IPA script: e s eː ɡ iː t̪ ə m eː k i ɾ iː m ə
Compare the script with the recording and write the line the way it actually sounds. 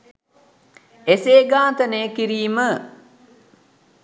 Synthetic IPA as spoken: e s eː ɡ aː t̪ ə n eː k i ɾ iː m ə